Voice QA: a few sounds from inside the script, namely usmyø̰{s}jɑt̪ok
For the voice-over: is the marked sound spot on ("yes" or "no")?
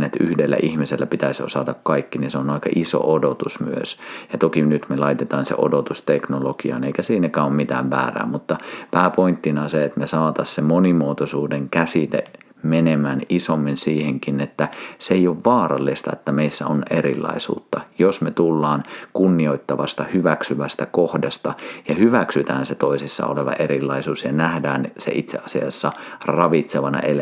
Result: yes